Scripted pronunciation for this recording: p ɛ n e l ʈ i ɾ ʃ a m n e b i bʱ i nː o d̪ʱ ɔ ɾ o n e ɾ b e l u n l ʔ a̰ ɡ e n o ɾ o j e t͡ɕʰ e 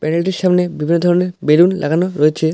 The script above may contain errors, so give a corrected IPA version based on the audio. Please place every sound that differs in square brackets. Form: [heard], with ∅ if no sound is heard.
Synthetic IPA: p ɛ n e l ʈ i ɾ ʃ a m n e b i bʱ i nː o d̪ʱ ɔ ɾ o n e ɾ b e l u n l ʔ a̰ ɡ [a] n o ɾ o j e t͡ɕʰ e